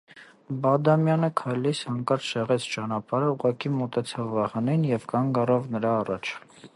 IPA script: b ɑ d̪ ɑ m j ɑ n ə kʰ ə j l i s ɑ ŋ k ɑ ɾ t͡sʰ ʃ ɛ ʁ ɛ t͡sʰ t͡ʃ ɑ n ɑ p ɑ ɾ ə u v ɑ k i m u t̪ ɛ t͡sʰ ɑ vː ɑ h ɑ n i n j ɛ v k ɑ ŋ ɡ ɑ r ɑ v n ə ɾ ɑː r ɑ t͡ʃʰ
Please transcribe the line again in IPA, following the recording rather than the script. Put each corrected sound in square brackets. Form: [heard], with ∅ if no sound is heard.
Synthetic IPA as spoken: b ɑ d̪ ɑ m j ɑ n ə kʰ [ɑ] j l i s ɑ ŋ k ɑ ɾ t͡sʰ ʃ ɛ ʁ ɛ t͡sʰ t͡ʃ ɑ n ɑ p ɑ ɾ ə u [ʁ] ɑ k i m [ɔ] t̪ ɛ t͡sʰ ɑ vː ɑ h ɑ n i n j ɛ v k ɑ ŋ ɡ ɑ r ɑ v n ə ɾ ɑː r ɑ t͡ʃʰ